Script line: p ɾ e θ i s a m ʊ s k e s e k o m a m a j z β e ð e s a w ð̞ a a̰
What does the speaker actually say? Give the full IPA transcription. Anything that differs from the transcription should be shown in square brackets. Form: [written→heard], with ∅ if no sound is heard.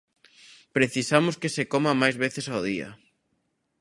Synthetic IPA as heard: p ɾ e θ i s a m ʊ s k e s e k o m a m a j z β e [ð→θ] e s a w ð̞ [a→i] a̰